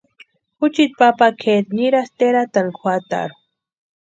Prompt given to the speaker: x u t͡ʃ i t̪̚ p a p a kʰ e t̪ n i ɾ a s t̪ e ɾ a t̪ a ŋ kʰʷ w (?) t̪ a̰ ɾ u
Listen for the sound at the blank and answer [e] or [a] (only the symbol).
a